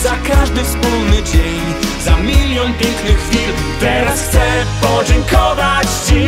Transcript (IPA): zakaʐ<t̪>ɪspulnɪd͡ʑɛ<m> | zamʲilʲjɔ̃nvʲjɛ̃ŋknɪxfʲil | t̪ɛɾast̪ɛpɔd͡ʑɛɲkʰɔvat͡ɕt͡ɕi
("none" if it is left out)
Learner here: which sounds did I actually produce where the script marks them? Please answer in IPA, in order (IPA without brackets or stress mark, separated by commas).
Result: d̪, ɲ